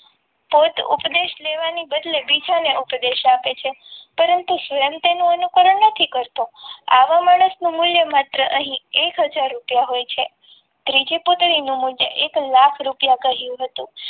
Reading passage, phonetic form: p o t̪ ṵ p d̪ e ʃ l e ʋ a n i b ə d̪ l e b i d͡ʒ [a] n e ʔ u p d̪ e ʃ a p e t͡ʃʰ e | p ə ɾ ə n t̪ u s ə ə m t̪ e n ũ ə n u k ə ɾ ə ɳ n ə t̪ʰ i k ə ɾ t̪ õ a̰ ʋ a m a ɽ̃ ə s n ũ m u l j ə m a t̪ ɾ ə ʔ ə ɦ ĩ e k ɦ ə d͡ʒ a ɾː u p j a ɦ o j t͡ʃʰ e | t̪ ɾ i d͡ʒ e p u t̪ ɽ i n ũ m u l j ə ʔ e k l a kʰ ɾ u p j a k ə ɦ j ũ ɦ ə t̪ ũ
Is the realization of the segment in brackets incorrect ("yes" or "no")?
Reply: no